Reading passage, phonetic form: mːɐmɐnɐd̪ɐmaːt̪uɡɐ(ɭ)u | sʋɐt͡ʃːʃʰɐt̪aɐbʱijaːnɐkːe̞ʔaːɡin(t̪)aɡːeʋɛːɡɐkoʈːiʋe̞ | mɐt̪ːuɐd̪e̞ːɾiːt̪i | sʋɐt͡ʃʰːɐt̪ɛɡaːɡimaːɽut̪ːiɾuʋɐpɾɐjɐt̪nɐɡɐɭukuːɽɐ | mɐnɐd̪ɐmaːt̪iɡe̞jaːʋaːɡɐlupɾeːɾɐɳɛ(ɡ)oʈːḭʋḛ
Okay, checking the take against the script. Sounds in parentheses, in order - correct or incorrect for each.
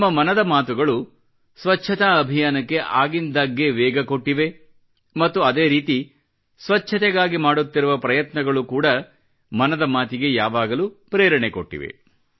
correct, incorrect: d̪, incorrect: k

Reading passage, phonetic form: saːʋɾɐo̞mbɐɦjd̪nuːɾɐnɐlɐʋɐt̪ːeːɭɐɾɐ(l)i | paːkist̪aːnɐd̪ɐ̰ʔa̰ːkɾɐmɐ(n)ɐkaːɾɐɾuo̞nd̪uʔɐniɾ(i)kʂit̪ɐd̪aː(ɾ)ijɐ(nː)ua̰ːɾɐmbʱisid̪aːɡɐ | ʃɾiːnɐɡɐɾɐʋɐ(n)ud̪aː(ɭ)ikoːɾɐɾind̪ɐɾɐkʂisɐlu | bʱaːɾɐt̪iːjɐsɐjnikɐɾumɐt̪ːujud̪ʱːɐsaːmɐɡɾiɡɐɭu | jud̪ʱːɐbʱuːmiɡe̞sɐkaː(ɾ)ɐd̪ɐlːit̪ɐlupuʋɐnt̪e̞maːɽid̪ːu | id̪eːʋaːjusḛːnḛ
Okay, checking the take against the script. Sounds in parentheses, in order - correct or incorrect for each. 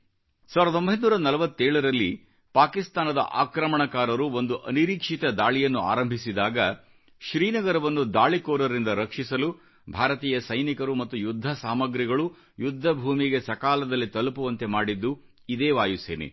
incorrect: lː, incorrect: ɳ, incorrect: iː, incorrect: ɭ, correct, incorrect: nː, correct, incorrect: l

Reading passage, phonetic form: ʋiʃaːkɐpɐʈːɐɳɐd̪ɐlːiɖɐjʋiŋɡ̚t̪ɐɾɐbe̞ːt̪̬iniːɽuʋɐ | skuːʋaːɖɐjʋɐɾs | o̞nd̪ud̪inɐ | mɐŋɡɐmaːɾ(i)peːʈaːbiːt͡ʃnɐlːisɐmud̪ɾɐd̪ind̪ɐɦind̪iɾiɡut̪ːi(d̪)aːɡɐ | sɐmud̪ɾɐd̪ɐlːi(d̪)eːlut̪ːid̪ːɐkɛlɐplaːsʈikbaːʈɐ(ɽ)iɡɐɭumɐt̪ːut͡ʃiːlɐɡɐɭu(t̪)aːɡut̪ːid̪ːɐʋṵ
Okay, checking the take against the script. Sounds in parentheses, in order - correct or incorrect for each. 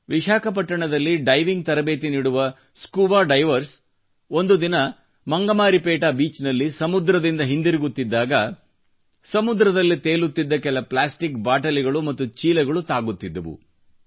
correct, incorrect: d̪ː, incorrect: t̪, incorrect: l, correct

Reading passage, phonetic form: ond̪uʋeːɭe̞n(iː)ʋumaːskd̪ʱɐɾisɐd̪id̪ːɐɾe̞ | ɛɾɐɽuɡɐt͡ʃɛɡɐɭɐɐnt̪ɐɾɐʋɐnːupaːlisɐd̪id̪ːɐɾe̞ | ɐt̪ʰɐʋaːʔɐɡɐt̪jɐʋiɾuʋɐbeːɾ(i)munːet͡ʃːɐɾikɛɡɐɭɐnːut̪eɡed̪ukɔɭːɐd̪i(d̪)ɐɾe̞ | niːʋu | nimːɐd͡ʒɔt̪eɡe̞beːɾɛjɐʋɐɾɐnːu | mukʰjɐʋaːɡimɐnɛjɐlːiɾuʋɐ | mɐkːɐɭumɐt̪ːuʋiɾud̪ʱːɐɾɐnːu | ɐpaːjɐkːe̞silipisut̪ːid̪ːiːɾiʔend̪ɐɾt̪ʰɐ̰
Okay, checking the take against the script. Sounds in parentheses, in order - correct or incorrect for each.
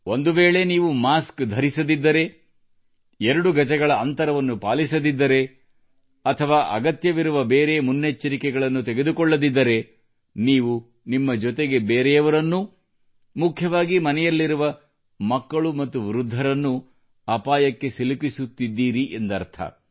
correct, incorrect: e, incorrect: d̪ː

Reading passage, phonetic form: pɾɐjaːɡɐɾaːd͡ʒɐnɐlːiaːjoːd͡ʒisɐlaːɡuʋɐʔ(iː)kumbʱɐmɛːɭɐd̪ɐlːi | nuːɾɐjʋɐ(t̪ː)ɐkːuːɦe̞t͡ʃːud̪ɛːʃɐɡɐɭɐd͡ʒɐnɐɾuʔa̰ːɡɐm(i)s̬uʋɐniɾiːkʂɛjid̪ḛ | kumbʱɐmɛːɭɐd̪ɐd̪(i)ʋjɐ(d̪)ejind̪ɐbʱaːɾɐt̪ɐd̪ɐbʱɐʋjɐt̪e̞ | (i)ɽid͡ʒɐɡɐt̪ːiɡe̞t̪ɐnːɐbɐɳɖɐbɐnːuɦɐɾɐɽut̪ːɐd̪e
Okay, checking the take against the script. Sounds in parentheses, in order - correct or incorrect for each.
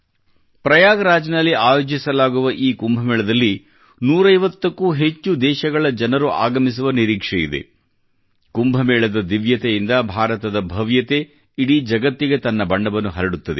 correct, correct, correct, correct, incorrect: t̪, correct

